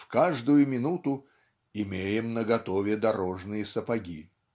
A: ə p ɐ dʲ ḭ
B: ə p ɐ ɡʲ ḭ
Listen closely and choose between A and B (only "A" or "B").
B